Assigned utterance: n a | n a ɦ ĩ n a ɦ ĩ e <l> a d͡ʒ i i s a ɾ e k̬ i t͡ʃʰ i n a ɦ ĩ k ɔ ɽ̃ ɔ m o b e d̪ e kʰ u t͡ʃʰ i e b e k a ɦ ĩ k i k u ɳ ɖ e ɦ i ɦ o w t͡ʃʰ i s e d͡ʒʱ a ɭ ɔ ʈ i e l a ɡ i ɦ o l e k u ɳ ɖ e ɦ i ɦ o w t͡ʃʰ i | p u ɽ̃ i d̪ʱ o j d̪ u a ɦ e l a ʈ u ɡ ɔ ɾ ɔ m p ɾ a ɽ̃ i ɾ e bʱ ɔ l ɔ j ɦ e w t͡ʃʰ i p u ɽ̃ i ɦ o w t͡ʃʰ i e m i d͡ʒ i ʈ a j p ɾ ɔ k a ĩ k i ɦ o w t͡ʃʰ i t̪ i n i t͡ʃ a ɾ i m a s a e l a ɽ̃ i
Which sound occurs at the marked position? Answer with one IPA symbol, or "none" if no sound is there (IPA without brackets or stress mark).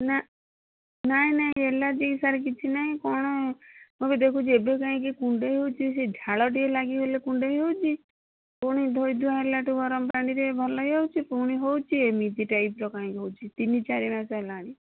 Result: l